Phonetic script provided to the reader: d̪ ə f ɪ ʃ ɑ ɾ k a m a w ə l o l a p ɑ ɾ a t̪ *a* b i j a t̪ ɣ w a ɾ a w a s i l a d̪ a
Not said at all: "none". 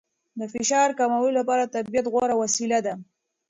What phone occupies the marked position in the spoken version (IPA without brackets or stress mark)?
a